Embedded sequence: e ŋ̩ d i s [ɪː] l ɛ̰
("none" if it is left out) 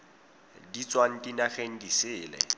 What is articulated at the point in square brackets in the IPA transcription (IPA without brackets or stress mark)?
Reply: ɪː